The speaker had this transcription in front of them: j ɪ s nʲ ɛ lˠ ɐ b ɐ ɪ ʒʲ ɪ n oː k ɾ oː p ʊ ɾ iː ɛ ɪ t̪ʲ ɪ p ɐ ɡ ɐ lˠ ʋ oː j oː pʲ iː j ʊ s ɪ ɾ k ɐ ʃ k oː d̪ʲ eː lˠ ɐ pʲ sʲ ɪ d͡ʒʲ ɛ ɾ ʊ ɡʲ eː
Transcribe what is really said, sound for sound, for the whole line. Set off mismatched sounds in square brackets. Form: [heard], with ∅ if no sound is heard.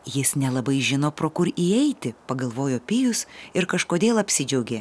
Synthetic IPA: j ɪ s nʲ ɛ lˠ ɐ b ɐ ɪ ʒʲ ɪ n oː [p] ɾ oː [k] ʊ ɾ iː ɛ ɪ t̪ʲ ɪ p ɐ ɡ ɐ lˠ ʋ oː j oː pʲ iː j ʊ s ɪ ɾ k ɐ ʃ k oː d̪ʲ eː lˠ ɐ pʲ sʲ ɪ d͡ʒʲ ɛ [∅] ʊ ɡʲ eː